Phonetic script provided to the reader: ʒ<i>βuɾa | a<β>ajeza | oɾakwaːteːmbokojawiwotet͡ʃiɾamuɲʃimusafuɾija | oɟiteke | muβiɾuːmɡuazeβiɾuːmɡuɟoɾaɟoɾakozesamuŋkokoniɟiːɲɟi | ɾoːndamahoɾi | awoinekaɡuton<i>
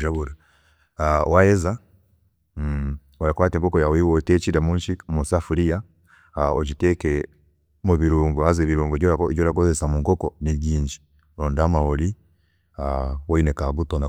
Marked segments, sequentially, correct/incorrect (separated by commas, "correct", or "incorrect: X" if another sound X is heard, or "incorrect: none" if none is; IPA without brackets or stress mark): incorrect: a, incorrect: w, incorrect: a